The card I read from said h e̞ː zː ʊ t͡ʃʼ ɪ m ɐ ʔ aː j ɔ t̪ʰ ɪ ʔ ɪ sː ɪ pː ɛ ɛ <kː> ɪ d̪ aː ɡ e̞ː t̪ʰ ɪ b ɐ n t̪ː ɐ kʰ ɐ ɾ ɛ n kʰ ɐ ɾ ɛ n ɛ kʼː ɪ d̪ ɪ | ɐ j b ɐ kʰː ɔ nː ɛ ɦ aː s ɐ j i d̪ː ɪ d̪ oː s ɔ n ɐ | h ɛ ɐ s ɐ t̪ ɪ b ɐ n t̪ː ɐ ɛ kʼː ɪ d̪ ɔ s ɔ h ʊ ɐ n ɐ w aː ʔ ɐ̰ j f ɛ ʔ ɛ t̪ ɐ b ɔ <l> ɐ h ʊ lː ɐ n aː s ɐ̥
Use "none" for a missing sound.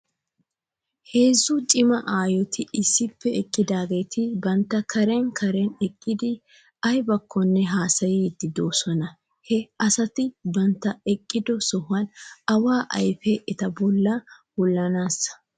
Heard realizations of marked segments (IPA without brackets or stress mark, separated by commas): kʼː, lː